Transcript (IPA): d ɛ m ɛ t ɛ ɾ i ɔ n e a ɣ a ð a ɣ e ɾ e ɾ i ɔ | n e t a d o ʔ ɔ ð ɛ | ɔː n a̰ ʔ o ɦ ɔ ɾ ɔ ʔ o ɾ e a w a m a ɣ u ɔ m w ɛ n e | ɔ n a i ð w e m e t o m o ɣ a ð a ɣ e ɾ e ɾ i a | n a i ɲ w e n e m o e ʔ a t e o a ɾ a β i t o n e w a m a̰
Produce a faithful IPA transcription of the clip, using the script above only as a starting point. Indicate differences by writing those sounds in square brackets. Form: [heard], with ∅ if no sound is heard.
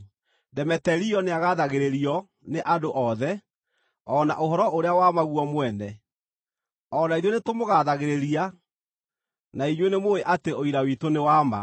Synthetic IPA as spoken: d ɛ m ɛ t ɛ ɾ i ɔ n e a ɣ a ð a ɣ e ɾ e ɾ i ɔ | n e [ʔ] a d o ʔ ɔ ð ɛ | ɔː n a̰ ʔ o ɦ ɔ ɾ ɔ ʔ o ɾ e a w a m a ɣ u ɔ m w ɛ n [ɛ] | ɔ n a i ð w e [n] e t o m o ɣ a ð a ɣ e ɾ e ɾ i a | n a i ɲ w e n e m o e ʔ a t e o [i] ɾ a [w] i t o n e w a m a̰